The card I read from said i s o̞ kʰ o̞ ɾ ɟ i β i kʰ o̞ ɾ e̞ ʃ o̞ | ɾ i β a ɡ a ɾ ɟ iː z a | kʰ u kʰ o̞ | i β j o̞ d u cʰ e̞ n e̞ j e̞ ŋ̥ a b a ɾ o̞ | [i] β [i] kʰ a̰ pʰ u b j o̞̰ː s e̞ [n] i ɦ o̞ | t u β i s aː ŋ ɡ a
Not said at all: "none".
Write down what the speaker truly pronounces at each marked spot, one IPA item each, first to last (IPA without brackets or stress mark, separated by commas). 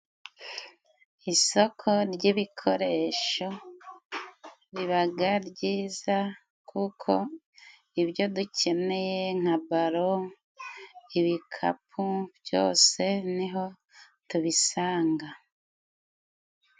i, i, n